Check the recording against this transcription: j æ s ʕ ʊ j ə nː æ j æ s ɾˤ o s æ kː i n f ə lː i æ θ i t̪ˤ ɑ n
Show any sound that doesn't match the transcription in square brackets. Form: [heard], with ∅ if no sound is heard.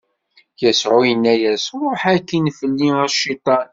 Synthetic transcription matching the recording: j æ s ʕ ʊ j ə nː æ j æ s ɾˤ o [ħ] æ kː i n f ə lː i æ [ʃ] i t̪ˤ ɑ n